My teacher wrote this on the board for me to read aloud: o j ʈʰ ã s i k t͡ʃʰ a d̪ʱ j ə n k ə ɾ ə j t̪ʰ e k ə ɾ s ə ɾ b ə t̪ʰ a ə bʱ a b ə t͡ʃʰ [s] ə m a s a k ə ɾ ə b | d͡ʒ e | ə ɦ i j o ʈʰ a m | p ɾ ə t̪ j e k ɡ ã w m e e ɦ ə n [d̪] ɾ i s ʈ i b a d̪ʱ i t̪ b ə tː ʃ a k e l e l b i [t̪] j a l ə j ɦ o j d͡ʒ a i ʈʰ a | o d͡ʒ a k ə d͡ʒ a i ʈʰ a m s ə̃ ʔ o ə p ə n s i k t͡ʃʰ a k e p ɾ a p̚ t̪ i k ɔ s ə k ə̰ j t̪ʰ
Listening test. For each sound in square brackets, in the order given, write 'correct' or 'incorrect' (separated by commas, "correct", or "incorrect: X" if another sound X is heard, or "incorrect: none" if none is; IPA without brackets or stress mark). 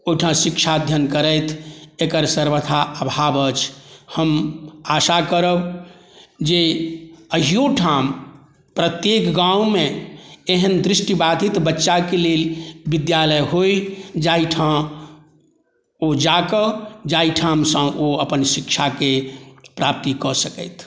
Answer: incorrect: h, correct, incorrect: d̪